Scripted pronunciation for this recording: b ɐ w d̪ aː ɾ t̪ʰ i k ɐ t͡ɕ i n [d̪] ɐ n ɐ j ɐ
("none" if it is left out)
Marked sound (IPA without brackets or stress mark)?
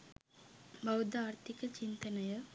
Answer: t̪